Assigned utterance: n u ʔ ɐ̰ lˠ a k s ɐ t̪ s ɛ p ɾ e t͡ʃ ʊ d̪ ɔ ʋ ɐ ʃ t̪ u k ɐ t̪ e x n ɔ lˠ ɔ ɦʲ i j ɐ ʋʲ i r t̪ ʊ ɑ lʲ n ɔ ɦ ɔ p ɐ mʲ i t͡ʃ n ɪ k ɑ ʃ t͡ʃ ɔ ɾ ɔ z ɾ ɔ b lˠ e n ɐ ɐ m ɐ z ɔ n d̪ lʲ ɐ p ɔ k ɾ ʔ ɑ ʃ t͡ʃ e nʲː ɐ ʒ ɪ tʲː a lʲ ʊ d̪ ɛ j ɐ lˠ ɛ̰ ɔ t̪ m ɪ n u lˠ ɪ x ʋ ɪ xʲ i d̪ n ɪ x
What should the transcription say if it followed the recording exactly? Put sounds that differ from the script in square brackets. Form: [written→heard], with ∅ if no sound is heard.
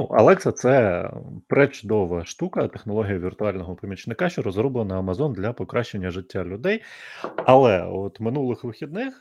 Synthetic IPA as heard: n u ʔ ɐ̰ lˠ [a→ɛ] k s ɐ t̪ s ɛ p ɾ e t͡ʃ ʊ d̪ ɔ ʋ ɐ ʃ t̪ u k ɐ t̪ e x n ɔ lˠ ɔ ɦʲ i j ɐ ʋʲ i r t̪ ʊ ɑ lʲ n ɔ ɦ ɔ p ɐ mʲ i t͡ʃ n ɪ k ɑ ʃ t͡ʃ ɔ ɾ ɔ z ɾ ɔ b lˠ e n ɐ ɐ m ɐ z ɔ n d̪ lʲ ɐ p ɔ k ɾ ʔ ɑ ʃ t͡ʃ e nʲː ɐ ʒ ɪ tʲː a lʲ ʊ d̪ ɛ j ɐ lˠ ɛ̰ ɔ t̪ m ɪ n u lˠ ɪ x ʋ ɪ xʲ i d̪ n ɪ x